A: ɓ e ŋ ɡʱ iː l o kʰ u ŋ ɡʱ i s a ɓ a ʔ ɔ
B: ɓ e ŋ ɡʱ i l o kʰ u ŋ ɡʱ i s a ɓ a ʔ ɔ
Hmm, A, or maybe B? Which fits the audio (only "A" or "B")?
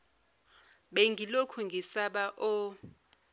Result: B